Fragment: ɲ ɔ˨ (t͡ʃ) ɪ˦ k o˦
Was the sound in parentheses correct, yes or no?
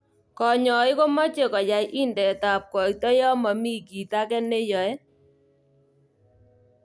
no